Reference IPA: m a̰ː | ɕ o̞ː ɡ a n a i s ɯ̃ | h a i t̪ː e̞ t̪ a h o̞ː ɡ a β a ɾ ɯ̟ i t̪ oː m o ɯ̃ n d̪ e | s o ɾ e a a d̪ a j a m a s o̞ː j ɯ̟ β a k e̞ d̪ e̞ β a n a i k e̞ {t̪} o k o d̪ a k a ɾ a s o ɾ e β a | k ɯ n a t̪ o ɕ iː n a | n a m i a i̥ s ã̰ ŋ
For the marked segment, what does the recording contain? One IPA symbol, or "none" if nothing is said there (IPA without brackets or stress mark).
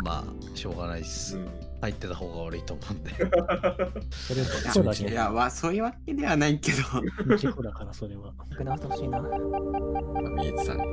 d̪